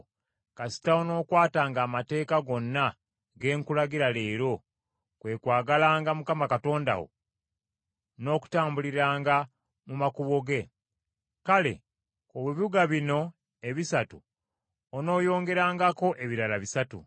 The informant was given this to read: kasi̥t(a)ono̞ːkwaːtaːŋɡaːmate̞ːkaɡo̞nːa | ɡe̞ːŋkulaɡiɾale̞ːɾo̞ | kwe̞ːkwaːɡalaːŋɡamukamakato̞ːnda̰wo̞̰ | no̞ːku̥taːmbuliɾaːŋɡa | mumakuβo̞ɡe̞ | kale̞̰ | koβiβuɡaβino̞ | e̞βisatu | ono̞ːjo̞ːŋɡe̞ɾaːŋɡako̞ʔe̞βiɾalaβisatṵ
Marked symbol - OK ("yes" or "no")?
yes